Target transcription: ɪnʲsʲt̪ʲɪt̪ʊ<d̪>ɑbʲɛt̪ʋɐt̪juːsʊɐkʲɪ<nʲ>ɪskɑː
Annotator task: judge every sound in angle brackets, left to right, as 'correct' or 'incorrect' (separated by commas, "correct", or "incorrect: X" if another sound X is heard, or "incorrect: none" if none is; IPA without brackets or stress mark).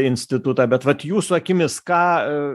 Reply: incorrect: t̪, incorrect: mʲ